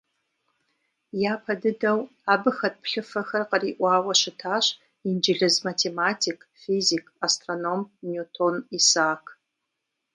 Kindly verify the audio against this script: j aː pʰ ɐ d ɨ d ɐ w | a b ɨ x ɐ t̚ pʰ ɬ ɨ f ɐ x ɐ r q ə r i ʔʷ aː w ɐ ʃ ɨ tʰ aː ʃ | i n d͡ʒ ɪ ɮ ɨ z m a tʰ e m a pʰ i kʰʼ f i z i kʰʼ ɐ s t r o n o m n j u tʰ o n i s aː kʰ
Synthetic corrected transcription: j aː pʰ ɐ d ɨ d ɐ w | a b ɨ x ɐ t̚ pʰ ɬ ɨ f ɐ x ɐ r q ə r i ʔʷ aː w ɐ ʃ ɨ tʰ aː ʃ | i n d͡ʒ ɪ ɮ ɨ z m a tʰ e m a tʰ i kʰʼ f i z i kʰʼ a s t r o n o m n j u tʰ o n i s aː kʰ